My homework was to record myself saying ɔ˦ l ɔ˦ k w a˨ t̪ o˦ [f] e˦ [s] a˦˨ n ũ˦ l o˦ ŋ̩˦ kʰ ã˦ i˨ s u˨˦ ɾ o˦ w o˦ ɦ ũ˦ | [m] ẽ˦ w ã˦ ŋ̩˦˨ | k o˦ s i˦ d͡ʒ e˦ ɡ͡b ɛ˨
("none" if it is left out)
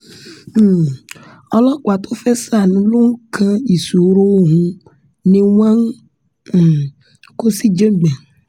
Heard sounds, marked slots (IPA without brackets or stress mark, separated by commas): f, s, n